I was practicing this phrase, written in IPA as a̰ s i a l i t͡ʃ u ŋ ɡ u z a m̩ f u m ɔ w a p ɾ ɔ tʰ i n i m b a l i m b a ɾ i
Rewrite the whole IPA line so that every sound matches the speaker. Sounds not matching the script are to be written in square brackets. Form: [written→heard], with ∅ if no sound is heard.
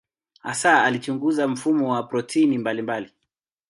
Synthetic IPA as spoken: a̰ s [i→a] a l i t͡ʃ u ŋ ɡ u z a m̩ f u m ɔ w a p ɾ ɔ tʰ i n i m b a l i m b a [ɾ→l] i